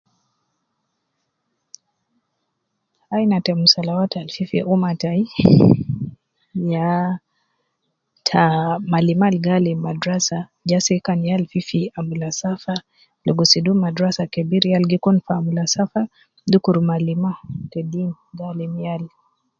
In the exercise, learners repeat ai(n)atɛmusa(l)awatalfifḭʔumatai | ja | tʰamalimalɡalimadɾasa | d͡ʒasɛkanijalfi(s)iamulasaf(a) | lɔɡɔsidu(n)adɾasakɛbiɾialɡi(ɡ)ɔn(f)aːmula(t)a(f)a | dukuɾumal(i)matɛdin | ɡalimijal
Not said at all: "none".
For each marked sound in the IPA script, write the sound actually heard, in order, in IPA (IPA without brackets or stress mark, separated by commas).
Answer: n, l, f, a, m, k, f, s, f, i